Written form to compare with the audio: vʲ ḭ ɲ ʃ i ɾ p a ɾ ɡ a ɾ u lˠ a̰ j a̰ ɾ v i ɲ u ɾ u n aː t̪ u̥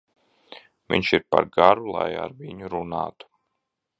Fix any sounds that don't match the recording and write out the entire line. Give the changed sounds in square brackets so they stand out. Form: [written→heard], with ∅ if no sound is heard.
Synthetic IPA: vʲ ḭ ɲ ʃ i ɾ p a ɾ ɡ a ɾ u lˠ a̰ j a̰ ɾ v i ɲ u ɾ u n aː t̪ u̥